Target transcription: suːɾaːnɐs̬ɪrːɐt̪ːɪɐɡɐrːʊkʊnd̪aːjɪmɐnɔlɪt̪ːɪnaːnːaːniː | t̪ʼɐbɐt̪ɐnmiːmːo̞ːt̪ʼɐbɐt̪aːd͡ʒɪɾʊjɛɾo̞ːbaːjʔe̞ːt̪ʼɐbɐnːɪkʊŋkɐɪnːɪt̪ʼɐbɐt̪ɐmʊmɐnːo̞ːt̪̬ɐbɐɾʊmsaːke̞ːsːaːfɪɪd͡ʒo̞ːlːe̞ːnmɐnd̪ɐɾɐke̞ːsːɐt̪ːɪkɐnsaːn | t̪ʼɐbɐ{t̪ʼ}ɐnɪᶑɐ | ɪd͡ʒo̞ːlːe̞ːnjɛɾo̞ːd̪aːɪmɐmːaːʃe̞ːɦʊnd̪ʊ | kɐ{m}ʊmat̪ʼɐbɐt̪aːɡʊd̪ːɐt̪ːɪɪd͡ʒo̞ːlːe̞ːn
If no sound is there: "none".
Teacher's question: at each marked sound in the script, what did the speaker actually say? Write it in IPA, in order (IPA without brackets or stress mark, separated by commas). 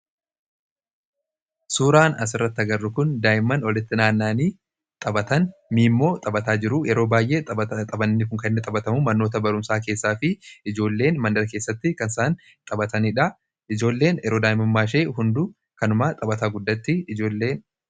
t̪, n